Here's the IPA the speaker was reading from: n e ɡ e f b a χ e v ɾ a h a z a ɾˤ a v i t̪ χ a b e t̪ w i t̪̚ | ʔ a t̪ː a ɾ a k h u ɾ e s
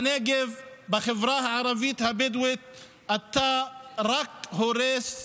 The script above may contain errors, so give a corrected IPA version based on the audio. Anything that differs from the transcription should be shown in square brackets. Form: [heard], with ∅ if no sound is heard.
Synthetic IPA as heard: n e ɡ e [v] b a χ e v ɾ a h a [ʕ] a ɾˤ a v i t̪ [h] a b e [d̪] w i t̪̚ | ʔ a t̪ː a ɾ a k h [o] ɾ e s